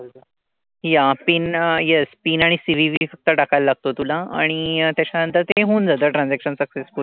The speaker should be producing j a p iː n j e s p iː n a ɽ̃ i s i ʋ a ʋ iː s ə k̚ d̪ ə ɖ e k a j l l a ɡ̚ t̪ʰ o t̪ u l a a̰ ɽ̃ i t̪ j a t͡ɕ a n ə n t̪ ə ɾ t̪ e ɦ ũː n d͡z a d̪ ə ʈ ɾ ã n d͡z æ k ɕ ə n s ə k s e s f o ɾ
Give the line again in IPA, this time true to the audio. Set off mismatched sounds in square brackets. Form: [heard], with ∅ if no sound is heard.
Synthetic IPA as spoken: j a p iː n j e s p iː n a ɽ̃ i s i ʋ [i] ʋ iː [f] ə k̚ [t̪] ə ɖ [a] k a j l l a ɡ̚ [t̪] o t̪ u l a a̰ ɽ̃ i t̪ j a t͡ɕ a n ə n t̪ ə ɾ t̪ e ɦ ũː n d͡z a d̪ ə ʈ ɾ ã n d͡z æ k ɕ ə n s ə k s e s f [u] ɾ

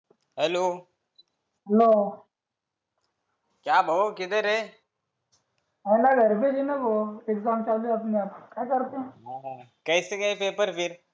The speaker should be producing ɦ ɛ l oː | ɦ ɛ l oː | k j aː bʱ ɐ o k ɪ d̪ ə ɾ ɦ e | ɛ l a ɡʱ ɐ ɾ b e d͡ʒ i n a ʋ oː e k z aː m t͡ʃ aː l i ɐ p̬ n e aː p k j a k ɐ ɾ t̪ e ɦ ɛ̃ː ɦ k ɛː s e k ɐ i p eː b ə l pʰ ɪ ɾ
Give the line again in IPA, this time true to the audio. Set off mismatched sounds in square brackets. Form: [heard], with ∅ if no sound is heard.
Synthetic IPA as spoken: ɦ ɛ l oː | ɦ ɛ l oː | k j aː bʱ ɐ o k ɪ d̪ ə ɾ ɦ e | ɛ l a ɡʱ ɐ ɾ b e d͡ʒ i n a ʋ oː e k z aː m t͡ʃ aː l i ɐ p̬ n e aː p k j a k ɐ ɾ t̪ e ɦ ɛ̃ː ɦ k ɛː s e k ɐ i p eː [p] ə [ɾ] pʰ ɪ ɾ

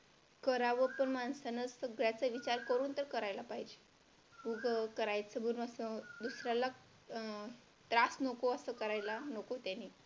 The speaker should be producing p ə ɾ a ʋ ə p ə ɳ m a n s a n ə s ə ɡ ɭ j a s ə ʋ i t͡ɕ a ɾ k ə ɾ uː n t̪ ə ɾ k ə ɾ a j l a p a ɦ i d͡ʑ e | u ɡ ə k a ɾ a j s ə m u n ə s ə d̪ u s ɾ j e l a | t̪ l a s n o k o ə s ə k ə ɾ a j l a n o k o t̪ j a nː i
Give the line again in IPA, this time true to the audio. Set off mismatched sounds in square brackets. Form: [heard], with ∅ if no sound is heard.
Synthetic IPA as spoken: [k] ə ɾ a ʋ ə p ə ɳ m a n s a n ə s ə ɡ ɭ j a [t͡s] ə ʋ i t͡ɕ a ɾ k ə ɾ uː n t̪ ə ɾ k ə ɾ a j l a p a ɦ i d͡ʑ e | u ɡ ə k [ə] ɾ a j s ə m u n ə s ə d̪ u s ɾ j [a] l a | t̪ [ɾ] a s n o k o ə s ə k ə ɾ a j l a n o k o t̪ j a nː i

